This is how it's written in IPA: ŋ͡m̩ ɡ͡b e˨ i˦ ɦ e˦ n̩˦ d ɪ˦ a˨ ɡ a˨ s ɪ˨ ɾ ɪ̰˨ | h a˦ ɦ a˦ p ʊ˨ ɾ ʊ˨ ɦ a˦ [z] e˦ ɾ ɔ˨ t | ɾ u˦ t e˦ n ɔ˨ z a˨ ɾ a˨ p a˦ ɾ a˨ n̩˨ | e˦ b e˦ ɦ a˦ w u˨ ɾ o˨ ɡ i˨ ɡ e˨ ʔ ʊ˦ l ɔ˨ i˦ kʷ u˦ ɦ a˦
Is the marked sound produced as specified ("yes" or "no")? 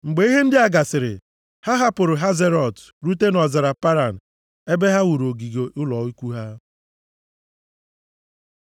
yes